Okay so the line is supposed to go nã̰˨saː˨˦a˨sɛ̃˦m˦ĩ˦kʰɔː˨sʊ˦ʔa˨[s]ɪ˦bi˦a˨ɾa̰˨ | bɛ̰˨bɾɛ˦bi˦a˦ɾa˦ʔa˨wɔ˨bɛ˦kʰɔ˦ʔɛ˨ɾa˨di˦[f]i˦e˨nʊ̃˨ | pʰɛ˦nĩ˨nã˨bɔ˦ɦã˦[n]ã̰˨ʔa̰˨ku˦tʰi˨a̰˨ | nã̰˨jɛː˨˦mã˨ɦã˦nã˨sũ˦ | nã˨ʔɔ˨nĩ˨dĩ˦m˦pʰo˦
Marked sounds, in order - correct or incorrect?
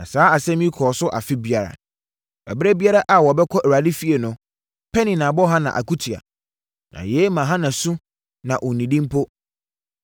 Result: incorrect: f, correct, correct

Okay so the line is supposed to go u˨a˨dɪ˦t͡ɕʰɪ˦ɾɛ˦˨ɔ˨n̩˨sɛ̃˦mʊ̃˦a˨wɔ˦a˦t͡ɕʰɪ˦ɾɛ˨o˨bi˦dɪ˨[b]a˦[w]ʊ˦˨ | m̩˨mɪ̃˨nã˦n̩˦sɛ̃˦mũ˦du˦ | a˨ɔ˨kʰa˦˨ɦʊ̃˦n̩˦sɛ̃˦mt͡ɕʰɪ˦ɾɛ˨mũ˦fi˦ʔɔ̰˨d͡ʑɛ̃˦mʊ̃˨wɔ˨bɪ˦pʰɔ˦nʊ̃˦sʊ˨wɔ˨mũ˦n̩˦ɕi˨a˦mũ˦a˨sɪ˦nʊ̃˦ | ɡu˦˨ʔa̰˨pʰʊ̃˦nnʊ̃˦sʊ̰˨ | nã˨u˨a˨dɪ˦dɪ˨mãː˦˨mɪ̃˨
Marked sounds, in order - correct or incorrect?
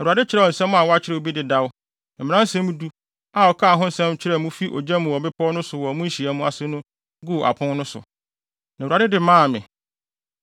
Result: incorrect: d, correct

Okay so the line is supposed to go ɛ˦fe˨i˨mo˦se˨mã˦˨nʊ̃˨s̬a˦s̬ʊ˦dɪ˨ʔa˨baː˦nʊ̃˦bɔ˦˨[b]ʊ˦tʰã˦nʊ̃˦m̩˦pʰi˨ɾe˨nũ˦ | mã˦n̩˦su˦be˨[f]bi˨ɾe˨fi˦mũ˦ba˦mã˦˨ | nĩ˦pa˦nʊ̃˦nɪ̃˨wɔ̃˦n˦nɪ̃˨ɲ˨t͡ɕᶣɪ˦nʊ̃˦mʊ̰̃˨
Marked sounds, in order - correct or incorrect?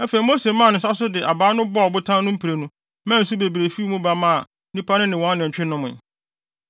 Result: correct, incorrect: none

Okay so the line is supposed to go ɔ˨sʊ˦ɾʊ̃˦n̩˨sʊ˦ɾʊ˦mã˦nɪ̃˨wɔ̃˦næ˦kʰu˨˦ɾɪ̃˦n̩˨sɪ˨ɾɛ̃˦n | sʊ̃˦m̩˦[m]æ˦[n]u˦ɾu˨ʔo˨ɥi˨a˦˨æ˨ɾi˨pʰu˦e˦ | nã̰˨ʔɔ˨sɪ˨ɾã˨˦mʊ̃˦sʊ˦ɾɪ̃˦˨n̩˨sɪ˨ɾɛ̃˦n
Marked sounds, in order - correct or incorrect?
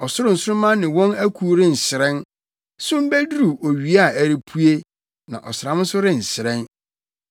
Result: incorrect: b, incorrect: d

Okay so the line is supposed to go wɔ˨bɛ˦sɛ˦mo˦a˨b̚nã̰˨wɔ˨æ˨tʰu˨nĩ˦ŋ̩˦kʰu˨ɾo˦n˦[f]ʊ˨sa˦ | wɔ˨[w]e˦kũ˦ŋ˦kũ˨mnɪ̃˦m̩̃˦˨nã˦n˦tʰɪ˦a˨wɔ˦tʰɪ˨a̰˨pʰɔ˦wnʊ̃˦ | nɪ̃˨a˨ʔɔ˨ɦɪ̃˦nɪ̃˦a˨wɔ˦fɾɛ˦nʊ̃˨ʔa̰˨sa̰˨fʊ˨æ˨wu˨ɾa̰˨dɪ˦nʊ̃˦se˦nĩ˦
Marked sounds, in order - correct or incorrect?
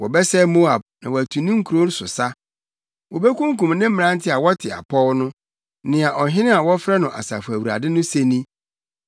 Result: incorrect: s, incorrect: b

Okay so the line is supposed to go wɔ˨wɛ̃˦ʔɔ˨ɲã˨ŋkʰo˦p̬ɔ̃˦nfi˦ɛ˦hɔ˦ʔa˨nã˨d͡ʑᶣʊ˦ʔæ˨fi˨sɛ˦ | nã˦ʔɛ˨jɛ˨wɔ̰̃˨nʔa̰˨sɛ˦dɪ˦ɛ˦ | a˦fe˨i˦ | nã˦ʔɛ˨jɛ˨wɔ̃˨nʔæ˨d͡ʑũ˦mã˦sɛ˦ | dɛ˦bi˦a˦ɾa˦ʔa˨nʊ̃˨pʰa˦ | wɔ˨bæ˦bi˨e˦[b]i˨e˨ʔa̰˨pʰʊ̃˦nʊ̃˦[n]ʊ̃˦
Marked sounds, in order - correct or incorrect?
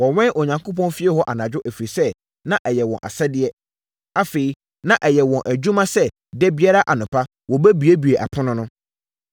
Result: correct, correct

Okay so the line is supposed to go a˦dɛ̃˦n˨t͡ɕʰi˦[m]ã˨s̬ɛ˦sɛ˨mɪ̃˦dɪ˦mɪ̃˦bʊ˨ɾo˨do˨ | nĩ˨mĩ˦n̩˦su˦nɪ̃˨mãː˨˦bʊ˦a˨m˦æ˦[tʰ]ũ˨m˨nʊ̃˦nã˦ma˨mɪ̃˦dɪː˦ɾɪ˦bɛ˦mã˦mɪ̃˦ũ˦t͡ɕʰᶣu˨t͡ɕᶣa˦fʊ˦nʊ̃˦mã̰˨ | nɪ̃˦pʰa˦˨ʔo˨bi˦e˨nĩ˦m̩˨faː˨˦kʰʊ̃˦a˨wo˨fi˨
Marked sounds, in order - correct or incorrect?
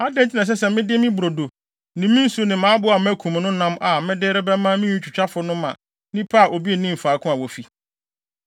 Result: incorrect: n, incorrect: kʰ

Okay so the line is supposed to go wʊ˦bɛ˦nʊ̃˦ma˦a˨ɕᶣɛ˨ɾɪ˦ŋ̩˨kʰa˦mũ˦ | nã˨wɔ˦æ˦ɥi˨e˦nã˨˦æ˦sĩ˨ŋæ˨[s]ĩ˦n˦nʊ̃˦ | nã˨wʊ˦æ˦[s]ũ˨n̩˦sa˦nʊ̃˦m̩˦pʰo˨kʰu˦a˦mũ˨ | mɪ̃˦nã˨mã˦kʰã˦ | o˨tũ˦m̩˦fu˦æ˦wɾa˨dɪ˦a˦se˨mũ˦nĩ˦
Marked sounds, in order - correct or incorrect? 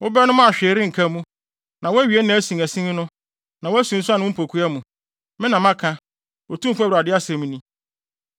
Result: correct, correct

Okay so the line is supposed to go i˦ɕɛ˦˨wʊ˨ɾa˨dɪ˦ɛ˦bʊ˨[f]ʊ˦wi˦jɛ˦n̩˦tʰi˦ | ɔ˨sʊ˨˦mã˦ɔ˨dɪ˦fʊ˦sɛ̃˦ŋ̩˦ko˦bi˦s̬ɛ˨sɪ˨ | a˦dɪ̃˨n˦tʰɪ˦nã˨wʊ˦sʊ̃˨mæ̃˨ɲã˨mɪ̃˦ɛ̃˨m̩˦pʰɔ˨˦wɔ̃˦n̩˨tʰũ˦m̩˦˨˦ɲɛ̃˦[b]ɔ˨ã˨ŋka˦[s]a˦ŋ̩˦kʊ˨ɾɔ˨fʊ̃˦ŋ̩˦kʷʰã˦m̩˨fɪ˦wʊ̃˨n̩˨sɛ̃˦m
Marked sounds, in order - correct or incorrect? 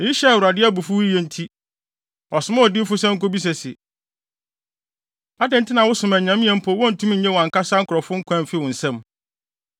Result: correct, incorrect: w, correct

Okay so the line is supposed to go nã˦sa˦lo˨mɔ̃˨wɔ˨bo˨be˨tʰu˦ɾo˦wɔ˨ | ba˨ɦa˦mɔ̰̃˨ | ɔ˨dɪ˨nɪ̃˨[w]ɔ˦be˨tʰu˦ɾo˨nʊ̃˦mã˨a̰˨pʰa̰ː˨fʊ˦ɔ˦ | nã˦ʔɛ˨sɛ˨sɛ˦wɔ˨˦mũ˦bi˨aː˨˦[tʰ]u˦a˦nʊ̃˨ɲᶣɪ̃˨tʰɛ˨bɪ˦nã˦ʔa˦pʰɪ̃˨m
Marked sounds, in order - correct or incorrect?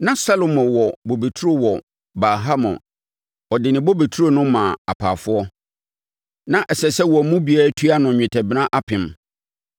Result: incorrect: b, correct

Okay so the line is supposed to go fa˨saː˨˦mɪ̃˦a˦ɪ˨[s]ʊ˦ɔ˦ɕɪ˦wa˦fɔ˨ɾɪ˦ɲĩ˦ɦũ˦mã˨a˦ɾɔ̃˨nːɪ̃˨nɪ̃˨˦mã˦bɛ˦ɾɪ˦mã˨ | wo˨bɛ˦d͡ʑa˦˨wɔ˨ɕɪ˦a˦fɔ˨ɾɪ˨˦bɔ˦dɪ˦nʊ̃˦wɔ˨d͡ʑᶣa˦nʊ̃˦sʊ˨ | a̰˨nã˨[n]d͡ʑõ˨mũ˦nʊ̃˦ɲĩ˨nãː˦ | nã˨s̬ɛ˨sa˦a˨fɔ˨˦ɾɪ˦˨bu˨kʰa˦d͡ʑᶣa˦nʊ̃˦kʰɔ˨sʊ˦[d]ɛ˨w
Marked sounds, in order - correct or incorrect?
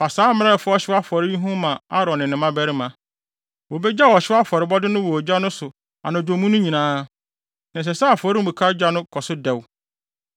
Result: incorrect: f, incorrect: none, correct

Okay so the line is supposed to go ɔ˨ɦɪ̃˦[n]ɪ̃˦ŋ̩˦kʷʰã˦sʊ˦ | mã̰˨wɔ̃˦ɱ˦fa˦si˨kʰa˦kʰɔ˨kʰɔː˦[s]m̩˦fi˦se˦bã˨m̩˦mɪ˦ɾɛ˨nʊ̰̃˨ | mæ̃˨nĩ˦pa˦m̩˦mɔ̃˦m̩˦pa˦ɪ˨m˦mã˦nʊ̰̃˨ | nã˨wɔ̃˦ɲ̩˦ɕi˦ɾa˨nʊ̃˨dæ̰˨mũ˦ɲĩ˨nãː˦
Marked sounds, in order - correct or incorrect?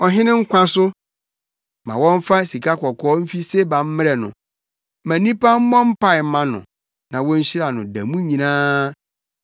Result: correct, incorrect: none

